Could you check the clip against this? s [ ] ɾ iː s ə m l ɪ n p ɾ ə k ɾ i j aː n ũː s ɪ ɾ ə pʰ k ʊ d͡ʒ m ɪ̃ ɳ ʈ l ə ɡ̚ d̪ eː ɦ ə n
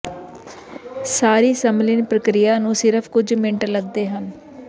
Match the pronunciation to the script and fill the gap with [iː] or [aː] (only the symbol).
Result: aː